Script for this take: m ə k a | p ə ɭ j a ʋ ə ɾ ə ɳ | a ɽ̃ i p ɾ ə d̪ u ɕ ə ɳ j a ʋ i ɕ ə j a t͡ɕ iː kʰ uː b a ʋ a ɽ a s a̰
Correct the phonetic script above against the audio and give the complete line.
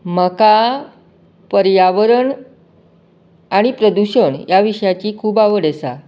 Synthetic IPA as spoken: m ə k a | p ə ɾ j a ʋ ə ɾ ə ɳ | a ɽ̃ i p ɾ ə d̪ u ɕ ə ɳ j a ʋ i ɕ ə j a t͡ɕ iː kʰ uː b a ʋ ə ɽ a s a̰